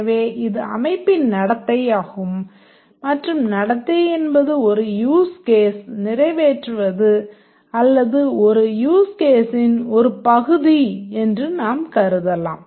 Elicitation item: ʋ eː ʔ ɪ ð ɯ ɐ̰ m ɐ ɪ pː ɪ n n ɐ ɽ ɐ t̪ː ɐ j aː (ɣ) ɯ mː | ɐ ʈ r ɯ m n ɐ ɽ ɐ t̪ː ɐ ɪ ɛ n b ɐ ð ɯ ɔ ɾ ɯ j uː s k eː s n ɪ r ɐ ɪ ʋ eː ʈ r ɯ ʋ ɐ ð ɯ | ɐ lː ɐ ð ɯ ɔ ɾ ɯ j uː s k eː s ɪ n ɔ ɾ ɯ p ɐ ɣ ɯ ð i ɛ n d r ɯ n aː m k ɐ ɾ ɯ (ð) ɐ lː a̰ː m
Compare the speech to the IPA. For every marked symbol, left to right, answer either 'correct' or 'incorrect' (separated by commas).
correct, correct